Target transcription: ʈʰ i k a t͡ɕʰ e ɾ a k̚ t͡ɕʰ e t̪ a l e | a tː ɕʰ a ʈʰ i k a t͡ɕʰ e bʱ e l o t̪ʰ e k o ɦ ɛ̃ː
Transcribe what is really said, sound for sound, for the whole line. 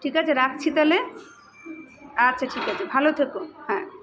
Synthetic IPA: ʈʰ i k a t͡ɕʰ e ɾ a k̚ t͡ɕʰ i t̪ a l e | a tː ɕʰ a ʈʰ i k a t͡ɕʰ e bʱ a l o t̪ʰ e k o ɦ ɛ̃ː